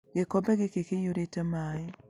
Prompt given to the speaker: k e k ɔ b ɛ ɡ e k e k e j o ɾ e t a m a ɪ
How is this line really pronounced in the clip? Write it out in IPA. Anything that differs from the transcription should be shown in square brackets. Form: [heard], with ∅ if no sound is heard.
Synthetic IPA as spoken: [ɡ] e k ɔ b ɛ ɡ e k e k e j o ɾ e t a m a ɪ